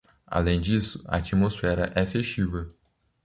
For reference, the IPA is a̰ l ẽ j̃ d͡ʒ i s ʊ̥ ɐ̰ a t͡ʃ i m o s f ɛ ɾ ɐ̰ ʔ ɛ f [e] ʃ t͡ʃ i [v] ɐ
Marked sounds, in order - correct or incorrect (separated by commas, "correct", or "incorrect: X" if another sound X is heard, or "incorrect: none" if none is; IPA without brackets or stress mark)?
correct, correct